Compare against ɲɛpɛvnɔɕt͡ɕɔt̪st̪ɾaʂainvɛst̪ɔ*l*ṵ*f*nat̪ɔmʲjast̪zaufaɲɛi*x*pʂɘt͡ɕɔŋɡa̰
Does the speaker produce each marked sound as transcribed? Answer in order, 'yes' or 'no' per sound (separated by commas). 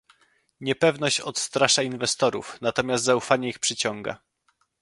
no, yes, yes